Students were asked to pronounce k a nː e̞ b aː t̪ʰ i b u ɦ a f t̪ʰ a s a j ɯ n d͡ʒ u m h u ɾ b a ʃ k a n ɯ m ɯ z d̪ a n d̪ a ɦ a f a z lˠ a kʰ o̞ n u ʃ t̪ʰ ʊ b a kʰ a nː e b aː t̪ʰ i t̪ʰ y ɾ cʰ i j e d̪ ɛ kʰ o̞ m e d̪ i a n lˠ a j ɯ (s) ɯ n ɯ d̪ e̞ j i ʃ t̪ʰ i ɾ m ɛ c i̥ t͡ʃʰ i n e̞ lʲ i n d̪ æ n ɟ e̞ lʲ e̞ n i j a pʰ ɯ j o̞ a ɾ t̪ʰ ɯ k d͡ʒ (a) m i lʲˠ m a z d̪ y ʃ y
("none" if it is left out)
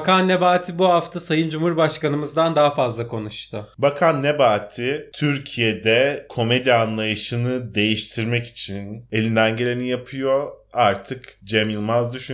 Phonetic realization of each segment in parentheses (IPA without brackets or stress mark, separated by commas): ʃ, e